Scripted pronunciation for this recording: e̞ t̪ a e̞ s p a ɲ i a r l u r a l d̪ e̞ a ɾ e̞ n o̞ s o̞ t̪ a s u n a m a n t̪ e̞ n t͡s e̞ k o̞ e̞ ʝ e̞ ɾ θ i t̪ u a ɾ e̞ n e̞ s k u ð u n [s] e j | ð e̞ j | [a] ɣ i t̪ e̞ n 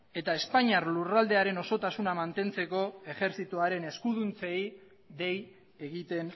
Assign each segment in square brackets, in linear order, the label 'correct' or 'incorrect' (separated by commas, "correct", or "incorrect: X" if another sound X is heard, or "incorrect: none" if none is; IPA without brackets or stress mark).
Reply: incorrect: t͡s, incorrect: e